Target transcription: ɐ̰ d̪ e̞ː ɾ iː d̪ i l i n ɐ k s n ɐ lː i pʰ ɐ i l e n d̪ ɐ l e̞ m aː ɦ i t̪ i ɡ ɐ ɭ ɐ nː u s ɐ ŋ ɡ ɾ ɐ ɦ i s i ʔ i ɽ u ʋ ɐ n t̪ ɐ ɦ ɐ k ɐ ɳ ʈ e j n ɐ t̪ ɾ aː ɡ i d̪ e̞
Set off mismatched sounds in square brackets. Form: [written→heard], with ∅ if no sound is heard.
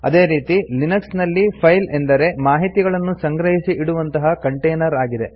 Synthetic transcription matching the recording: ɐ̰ d̪ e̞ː ɾ iː [d̪→t̪] i l i n ɐ k s n ɐ lː i pʰ ɐ [i→j] l e n d̪ ɐ [l→ɾ] e̞ m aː ɦ i t̪ i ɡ ɐ ɭ ɐ nː u s ɐ ŋ ɡ ɾ ɐ ɦ i s i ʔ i ɽ u ʋ ɐ n t̪ ɐ ɦ ɐ k ɐ ɳ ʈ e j n ɐ [t̪→∅] ɾ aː ɡ i d̪ e̞